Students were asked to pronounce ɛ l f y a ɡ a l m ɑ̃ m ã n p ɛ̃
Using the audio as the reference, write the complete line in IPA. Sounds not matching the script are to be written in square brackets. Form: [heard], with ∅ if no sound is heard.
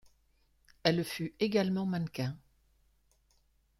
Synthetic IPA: ɛ l f y [e] ɡ a l m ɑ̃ m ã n [k] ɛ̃